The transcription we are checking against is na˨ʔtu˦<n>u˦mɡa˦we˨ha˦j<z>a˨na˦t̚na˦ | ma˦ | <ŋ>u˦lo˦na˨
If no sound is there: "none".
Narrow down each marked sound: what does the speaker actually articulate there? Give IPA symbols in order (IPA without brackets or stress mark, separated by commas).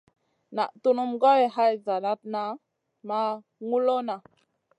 n, z, ŋ